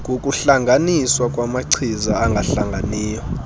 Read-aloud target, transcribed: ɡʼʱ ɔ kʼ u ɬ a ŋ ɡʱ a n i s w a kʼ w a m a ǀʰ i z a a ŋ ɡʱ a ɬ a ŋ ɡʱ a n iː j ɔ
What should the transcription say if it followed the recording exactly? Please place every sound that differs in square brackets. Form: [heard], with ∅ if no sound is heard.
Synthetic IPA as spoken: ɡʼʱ [o] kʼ u ɬ a ŋ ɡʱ a n i s w a kʼ w a m a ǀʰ i z a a ŋ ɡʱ a ɬ a ŋ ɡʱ a n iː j ɔ